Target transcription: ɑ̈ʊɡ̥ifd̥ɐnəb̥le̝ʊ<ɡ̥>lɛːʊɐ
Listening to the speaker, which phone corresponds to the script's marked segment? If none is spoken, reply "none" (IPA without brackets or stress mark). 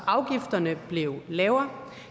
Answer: none